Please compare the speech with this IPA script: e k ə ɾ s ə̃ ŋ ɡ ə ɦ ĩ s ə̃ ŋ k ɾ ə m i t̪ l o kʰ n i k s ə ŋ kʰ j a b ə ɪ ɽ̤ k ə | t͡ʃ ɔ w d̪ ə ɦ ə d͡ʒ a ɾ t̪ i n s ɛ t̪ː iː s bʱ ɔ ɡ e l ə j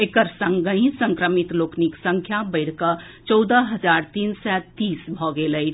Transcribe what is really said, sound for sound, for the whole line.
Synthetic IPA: e k ə ɾ s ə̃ ŋ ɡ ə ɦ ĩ s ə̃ ŋ k ɾ ə m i t̪ l o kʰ n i k s ə ŋ kʰ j a b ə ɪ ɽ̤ k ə | t͡ʃ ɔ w d̪ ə ɦ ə d͡ʒ a ɾ t̪ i n s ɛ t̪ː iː s bʱ ɔ ɡ e l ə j